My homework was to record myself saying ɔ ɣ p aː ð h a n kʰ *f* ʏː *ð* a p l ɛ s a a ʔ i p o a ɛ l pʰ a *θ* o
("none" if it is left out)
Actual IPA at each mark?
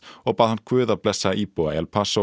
v, ð, s

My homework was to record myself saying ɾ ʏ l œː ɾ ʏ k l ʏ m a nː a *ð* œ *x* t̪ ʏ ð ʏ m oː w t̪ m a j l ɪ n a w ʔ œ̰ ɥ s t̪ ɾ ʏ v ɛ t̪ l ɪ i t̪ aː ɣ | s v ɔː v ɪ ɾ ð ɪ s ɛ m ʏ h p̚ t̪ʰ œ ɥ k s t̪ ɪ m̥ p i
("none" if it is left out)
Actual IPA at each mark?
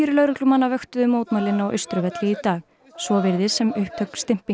v, x

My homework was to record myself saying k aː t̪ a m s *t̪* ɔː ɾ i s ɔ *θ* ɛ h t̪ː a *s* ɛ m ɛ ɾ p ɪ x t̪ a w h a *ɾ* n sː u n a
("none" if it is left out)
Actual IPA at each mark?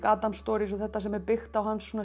t̪, θ, s, none

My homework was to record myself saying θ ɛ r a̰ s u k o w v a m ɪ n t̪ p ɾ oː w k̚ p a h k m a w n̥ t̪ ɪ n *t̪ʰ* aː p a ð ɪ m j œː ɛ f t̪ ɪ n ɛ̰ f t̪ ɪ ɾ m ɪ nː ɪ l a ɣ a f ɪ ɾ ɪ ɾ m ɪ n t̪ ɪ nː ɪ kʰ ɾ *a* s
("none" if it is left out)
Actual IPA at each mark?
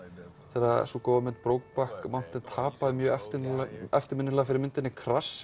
t̪ʰ, a

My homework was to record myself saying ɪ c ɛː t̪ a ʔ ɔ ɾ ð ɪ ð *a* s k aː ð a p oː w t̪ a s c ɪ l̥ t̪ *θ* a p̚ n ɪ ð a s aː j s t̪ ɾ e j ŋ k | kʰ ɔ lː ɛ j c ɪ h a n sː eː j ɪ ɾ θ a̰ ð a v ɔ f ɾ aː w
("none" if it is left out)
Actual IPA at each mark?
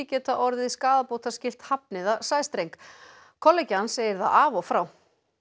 i, h

